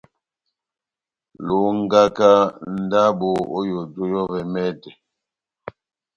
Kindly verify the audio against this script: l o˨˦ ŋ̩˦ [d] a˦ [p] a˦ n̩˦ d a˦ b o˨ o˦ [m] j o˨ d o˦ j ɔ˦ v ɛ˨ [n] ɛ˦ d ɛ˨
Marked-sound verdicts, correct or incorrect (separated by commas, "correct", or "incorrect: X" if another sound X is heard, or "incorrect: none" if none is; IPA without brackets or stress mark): incorrect: ɡ, incorrect: k, incorrect: none, incorrect: m